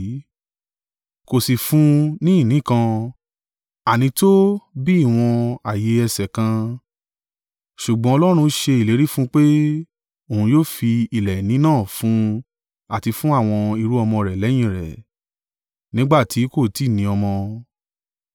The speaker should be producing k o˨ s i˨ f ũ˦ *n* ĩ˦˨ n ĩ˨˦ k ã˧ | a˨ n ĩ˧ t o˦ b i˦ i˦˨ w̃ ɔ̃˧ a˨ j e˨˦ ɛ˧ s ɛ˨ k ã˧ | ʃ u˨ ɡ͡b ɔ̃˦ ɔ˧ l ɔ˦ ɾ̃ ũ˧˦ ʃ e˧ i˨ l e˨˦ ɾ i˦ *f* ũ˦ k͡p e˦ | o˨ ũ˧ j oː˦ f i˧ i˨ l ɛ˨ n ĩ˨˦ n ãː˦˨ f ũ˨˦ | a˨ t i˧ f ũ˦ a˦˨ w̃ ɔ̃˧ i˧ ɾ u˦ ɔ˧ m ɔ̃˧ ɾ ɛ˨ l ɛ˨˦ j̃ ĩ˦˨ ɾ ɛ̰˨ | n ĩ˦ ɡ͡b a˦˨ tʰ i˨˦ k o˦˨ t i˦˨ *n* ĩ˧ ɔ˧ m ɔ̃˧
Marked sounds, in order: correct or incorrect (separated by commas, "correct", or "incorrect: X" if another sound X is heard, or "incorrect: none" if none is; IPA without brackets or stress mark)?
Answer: correct, correct, correct